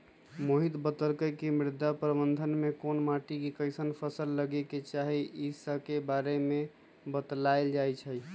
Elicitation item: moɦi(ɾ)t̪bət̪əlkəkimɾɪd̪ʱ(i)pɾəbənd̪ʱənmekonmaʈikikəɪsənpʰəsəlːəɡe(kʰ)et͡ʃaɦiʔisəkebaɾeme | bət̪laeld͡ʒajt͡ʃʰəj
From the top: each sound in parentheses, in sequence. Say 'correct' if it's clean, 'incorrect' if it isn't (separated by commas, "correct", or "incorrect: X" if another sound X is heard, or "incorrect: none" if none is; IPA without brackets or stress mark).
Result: incorrect: none, incorrect: a, incorrect: k